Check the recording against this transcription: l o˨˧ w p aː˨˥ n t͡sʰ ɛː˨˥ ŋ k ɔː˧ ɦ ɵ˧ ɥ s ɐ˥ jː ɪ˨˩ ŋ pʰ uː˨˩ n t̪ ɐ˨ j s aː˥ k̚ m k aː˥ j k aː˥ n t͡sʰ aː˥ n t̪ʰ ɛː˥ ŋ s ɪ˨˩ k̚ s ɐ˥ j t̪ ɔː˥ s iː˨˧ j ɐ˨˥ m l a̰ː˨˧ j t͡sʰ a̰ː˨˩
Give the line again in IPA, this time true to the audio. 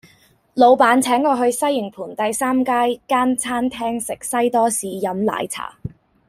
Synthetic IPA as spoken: l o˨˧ w p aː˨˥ n t͡sʰ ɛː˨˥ ŋ k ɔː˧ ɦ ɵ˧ ɥ s ɐ˥ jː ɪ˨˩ ŋ pʰ uː˨˩ n t̪ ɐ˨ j s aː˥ m k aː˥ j k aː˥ n t͡sʰ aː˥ n t̪ʰ ɛː˥ ŋ s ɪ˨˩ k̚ s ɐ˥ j t̪ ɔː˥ s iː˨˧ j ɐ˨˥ m l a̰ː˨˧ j t͡sʰ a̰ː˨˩